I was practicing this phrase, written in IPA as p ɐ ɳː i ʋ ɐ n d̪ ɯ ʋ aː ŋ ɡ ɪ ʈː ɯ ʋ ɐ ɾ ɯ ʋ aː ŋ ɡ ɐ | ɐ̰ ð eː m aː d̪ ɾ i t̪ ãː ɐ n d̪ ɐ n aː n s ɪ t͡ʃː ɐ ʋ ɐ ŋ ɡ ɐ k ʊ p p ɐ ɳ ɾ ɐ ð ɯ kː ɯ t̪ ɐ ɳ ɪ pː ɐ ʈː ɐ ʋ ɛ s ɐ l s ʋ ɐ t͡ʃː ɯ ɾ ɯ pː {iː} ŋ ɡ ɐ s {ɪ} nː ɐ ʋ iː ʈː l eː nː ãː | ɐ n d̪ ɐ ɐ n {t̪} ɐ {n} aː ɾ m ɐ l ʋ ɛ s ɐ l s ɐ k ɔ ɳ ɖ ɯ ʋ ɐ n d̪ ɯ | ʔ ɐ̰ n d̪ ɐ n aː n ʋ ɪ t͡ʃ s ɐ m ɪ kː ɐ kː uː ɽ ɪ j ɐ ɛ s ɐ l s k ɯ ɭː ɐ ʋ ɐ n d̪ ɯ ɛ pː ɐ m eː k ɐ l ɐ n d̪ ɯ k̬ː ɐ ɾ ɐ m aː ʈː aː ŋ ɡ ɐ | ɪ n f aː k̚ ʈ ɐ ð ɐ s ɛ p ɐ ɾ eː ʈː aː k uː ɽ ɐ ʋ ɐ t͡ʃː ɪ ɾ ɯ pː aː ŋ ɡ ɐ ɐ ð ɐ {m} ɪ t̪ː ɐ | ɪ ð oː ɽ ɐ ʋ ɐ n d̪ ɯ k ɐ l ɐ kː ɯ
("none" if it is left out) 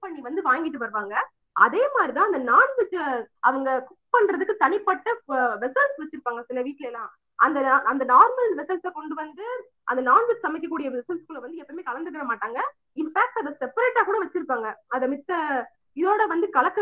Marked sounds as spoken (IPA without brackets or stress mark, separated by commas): aː, ɪ, d̪, n, m